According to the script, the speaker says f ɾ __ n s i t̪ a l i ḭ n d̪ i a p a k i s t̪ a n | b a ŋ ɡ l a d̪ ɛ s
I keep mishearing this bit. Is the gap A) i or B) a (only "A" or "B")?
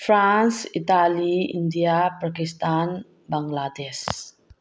B